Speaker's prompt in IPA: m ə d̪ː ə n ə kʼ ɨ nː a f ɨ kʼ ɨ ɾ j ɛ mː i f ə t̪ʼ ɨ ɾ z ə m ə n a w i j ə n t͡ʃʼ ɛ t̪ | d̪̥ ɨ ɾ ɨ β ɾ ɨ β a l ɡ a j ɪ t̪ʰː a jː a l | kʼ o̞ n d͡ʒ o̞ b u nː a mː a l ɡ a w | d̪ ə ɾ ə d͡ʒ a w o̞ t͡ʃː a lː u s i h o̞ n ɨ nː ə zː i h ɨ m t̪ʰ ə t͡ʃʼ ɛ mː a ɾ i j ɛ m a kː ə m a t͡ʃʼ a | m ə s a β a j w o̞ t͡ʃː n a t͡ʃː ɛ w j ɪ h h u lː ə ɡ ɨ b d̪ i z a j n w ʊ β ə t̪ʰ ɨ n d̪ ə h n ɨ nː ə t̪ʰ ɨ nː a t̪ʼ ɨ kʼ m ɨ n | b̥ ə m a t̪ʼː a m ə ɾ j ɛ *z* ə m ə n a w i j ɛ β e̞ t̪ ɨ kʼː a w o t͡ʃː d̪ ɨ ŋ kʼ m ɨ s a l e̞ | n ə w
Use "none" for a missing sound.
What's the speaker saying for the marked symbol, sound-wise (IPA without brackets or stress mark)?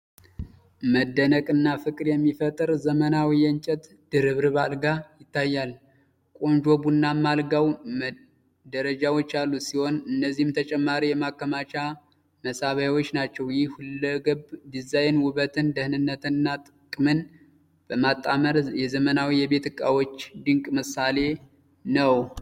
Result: z